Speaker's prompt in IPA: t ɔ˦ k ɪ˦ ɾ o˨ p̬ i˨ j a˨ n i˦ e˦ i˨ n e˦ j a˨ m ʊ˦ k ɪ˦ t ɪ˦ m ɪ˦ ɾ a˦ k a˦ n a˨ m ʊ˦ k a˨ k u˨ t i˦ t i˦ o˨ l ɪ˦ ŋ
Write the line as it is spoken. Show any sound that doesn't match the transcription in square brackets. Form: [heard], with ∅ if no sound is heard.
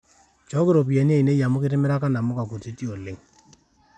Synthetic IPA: [t͡ʃ] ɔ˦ k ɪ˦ ɾ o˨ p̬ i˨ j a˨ n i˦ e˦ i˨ n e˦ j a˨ m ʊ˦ k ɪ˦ t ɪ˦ m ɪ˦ ɾ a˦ k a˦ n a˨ m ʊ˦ k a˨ k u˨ t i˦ t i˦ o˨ l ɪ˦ ŋ